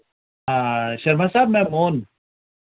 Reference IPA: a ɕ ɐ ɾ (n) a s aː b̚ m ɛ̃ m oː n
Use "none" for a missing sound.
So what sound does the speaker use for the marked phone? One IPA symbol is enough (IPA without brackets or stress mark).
m